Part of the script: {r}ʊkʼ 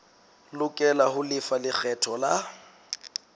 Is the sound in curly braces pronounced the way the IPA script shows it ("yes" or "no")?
no